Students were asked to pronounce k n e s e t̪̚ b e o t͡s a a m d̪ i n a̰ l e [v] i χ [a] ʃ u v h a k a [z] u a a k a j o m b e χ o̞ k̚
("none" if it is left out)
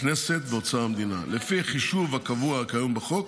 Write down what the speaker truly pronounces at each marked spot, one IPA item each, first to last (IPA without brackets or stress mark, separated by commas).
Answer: f, i, v